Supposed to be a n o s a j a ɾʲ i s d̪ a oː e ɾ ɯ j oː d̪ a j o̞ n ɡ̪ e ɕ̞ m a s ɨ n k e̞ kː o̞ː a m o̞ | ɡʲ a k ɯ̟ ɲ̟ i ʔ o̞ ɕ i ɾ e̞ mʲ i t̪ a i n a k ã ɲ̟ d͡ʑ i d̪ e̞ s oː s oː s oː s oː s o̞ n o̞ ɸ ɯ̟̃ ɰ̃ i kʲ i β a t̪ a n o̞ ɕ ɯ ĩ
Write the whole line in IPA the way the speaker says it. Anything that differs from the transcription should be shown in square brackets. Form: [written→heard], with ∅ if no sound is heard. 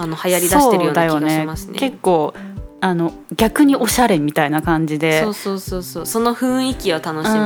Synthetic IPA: a n o [s→h] a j a ɾʲ i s d̪ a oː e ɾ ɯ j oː d̪ a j o̞ n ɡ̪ e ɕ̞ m a s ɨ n k e̞ kː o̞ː a [m→n] o̞ | ɡʲ a k ɯ̟ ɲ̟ i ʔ o̞ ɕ [i→a] ɾ e̞ mʲ i t̪ a i n a k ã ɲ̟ d͡ʑ i d̪ e̞ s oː s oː s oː s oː s o̞ n o̞ ɸ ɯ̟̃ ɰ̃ i kʲ i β a t̪ a n o̞ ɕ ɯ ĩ